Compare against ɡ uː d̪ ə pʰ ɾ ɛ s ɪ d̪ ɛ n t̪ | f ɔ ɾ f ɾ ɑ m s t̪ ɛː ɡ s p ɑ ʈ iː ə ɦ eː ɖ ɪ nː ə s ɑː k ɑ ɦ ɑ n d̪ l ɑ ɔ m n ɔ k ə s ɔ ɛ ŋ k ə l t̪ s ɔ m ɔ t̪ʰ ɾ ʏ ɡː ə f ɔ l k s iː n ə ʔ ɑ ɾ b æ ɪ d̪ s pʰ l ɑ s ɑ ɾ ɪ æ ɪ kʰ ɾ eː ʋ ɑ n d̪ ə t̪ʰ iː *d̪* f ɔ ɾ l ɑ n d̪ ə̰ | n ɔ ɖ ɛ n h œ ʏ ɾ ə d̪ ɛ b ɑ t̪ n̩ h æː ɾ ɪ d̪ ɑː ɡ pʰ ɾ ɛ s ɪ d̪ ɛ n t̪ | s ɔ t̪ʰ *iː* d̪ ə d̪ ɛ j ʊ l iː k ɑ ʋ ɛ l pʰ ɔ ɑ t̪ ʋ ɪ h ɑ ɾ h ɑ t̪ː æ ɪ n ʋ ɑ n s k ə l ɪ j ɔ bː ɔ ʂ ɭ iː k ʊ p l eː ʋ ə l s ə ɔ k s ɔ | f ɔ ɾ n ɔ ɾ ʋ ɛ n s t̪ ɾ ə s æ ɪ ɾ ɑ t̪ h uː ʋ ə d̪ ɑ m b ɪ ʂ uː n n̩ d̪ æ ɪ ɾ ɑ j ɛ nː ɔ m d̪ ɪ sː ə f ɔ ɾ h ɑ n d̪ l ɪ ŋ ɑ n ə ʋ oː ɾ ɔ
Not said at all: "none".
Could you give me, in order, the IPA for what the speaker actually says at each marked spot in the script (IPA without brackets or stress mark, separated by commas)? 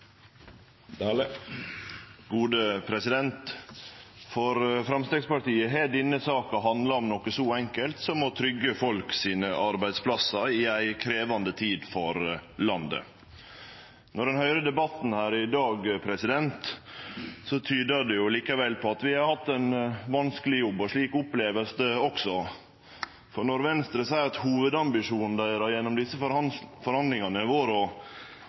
d̪, yː